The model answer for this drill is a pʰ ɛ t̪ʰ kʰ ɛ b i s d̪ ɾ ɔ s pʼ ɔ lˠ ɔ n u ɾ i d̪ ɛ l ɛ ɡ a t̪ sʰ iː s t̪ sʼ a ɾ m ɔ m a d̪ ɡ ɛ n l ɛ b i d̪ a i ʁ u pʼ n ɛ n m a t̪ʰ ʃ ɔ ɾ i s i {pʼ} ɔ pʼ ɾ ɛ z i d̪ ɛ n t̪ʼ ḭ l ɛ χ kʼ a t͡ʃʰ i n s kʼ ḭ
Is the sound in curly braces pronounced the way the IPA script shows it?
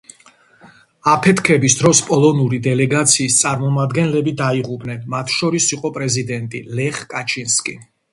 no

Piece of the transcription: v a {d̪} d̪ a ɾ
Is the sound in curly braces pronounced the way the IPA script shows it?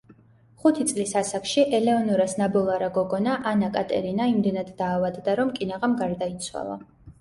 yes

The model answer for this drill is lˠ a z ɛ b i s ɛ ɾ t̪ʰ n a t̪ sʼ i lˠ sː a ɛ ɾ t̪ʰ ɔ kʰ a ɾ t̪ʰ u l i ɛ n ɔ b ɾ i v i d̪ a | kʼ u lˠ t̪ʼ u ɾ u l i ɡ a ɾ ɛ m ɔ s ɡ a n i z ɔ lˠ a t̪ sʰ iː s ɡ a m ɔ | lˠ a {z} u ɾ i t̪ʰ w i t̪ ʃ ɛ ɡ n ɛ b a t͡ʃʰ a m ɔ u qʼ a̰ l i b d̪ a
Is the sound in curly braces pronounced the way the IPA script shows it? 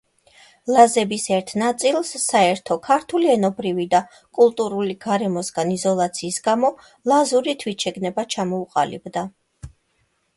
yes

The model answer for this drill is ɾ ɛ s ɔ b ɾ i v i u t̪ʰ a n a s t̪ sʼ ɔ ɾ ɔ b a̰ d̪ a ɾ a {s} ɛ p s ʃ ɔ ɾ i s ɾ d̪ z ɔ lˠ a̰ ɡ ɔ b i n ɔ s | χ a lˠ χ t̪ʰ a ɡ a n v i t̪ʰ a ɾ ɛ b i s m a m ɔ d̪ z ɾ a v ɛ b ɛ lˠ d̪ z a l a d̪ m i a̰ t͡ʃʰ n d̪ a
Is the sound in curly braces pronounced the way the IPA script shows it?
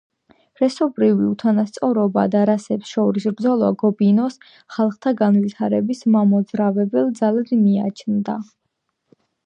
yes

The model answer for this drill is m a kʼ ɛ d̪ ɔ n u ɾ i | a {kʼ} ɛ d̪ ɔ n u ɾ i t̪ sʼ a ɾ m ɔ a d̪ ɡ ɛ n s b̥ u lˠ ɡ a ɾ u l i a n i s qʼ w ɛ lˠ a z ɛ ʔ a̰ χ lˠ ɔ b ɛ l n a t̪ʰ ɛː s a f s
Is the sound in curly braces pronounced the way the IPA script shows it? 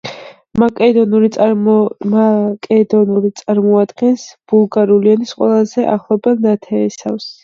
yes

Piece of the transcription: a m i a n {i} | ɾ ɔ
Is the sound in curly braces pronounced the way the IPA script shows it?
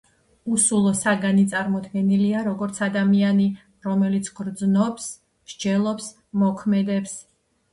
yes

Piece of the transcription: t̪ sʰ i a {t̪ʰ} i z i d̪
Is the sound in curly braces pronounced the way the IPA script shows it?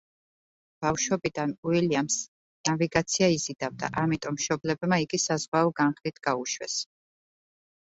no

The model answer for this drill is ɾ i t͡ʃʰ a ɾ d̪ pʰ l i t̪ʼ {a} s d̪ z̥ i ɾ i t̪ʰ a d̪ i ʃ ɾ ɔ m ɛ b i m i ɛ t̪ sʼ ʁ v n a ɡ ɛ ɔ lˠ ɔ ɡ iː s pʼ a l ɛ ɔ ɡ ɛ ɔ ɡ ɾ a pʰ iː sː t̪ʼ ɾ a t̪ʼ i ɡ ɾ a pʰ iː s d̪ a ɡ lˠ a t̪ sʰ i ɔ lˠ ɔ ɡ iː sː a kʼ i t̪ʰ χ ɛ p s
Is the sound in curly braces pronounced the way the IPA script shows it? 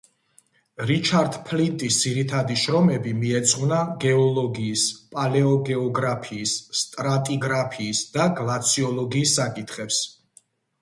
no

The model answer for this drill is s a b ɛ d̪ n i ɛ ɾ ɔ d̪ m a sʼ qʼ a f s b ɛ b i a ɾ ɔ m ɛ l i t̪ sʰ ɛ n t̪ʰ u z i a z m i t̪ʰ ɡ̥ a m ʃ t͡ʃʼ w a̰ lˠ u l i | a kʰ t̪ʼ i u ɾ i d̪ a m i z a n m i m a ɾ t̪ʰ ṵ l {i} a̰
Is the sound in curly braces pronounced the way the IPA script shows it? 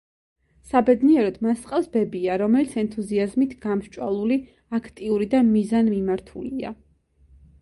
yes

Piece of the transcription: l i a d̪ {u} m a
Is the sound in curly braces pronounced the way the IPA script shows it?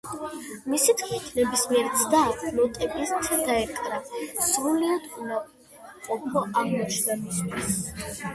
yes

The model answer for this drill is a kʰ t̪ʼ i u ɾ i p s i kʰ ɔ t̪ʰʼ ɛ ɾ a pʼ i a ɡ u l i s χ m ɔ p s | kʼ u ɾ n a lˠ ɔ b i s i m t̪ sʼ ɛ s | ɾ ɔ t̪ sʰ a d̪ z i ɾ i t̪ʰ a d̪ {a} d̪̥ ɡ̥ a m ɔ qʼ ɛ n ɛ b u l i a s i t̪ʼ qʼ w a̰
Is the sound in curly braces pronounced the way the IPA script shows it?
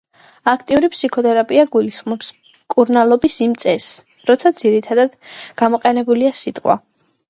yes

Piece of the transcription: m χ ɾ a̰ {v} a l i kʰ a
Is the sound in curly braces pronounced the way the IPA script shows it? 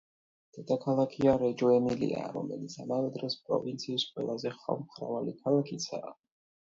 yes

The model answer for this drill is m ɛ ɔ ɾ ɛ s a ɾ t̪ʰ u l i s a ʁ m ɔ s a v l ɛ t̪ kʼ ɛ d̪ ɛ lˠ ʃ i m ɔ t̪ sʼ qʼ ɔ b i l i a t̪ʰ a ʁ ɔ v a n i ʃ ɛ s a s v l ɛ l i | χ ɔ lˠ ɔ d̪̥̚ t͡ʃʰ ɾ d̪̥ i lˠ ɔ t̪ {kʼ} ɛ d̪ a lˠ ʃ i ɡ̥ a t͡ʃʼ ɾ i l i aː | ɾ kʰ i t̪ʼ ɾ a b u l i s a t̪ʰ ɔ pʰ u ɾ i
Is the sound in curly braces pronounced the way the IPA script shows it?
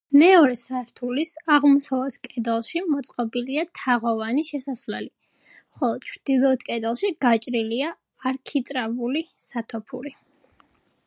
yes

